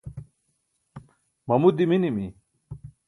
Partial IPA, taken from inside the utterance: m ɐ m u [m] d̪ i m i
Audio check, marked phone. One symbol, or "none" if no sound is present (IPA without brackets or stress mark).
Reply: none